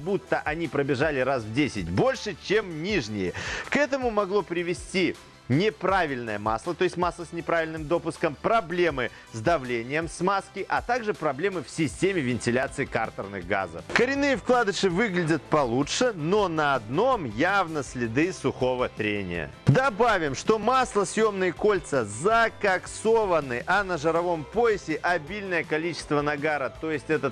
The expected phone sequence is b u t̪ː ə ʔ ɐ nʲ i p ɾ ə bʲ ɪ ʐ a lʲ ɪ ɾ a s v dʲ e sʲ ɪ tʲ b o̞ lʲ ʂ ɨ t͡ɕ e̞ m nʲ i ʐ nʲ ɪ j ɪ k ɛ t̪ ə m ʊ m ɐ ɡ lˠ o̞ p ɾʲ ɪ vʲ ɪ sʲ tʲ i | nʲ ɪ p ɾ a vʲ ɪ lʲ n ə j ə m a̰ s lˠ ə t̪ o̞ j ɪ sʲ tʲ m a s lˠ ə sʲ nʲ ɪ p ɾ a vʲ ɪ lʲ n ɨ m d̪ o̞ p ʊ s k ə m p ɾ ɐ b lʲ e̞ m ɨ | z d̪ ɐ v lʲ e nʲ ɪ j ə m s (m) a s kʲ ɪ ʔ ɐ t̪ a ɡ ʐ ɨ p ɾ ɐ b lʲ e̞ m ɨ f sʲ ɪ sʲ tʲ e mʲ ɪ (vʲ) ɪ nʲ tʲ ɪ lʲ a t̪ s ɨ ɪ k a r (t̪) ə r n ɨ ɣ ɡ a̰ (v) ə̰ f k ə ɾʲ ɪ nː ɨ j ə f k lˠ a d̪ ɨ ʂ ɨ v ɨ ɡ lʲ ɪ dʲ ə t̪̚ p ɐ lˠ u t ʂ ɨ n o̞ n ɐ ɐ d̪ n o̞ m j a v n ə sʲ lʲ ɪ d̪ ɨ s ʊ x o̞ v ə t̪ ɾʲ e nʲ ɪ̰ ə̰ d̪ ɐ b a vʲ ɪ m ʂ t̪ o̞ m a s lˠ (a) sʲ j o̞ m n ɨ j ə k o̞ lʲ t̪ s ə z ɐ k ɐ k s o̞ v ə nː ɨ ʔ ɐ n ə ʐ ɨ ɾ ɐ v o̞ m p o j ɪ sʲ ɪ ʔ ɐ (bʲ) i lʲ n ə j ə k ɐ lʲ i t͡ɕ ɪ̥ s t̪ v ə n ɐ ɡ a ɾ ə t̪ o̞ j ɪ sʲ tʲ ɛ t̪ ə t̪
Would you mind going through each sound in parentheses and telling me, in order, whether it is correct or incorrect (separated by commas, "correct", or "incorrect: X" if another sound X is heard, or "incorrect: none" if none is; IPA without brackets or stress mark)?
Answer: correct, correct, correct, incorrect: z, incorrect: ə, correct